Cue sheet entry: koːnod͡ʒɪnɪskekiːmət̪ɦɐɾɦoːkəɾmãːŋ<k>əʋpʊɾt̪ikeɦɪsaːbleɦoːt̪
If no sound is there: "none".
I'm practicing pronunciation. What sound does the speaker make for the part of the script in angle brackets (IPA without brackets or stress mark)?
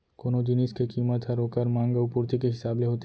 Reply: ɡ